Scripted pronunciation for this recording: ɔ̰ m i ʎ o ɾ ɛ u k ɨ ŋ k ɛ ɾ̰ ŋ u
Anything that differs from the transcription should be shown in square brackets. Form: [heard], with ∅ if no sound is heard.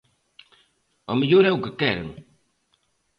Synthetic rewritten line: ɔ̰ m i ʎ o ɾ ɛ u k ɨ [∅] k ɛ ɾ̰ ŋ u